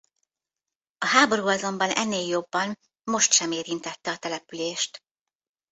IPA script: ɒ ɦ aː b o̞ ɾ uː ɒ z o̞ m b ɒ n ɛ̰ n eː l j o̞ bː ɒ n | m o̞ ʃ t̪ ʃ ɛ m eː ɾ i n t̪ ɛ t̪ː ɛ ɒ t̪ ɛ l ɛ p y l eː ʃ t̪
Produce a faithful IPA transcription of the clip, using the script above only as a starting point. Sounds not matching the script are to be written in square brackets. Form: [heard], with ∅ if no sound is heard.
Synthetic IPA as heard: ɒ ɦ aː b o̞ ɾ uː ɒ z o̞ m b ɒ n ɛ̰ [nː] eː l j o̞ bː ɒ n | m o̞ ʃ t̪ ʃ ɛ m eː ɾ i n t̪ ɛ t̪ː ɛ ɒ t̪ ɛ l ɛ p y l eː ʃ t̪